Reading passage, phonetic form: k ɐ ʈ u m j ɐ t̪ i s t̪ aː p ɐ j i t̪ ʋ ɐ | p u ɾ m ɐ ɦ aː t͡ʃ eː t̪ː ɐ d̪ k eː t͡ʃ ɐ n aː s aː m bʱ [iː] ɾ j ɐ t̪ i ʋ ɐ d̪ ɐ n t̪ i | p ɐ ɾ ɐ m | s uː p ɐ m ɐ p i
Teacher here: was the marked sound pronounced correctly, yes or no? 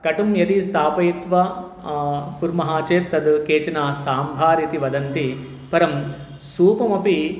no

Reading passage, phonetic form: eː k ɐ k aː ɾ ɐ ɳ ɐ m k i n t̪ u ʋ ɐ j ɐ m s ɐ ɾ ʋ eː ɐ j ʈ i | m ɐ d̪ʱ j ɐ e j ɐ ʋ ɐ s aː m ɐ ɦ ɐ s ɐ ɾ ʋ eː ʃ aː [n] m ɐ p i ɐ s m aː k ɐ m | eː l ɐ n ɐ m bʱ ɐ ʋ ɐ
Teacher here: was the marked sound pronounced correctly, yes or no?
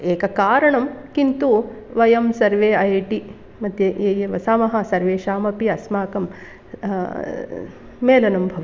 no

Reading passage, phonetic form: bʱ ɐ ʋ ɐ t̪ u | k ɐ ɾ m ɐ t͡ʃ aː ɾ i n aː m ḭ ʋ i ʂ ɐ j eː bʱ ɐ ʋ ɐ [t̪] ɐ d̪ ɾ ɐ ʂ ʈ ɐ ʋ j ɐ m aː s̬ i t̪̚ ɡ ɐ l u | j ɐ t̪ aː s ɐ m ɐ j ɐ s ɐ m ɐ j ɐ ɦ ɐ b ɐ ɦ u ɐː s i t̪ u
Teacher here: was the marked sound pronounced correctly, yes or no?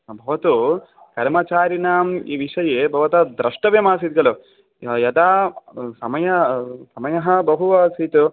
yes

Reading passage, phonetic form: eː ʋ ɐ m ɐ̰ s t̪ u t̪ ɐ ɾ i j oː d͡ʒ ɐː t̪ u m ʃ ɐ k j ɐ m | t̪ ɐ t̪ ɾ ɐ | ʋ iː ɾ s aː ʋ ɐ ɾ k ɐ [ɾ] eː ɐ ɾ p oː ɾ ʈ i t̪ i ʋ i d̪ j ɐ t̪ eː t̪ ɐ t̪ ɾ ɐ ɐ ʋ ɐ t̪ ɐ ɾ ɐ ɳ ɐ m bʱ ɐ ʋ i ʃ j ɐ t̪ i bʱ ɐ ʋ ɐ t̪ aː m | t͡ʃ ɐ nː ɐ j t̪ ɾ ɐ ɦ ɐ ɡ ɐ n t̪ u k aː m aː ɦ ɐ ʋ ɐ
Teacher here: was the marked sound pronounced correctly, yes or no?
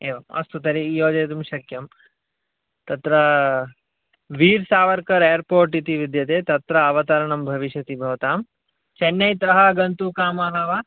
yes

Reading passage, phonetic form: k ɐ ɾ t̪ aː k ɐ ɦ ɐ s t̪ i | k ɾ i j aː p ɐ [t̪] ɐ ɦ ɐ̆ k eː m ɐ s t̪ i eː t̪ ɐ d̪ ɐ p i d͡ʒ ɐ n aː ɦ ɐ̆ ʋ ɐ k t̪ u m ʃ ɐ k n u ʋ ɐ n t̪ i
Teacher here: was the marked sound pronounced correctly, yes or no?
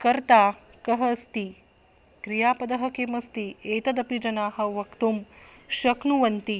no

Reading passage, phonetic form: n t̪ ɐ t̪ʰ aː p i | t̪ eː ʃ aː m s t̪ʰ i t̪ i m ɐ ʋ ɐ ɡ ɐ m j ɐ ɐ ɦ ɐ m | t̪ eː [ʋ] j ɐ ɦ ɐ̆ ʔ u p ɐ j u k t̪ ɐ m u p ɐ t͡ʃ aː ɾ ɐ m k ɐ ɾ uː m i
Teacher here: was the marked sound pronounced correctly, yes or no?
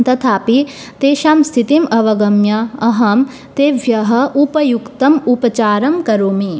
yes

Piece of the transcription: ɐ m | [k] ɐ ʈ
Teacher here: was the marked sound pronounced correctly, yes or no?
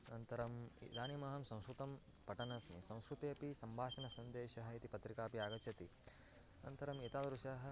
no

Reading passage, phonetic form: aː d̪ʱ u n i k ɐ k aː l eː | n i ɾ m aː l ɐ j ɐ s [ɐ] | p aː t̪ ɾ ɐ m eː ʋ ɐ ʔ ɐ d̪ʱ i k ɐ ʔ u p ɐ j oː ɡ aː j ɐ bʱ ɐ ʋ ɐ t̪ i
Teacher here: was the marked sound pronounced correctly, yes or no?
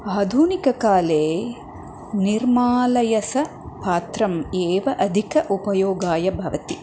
yes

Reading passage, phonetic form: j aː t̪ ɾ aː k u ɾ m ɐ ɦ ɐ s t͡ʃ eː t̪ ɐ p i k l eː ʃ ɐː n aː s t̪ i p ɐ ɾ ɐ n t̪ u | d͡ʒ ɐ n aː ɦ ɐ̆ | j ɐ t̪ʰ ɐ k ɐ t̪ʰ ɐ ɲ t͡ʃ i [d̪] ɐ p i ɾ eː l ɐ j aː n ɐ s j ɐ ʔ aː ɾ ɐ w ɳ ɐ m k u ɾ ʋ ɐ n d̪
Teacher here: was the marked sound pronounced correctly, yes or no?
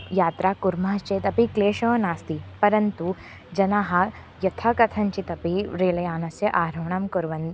no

